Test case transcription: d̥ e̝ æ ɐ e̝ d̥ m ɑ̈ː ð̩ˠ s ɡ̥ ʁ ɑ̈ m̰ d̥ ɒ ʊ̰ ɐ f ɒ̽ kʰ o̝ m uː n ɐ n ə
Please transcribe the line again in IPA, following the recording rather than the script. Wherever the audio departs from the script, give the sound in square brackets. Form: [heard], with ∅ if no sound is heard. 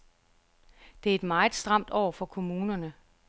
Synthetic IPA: d̥ e̝ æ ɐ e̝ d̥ m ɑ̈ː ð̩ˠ s [d̥] ʁ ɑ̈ m̰ d̥ ɒ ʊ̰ ɐ f ɒ̽ kʰ o̝ m uː n ɐ n ə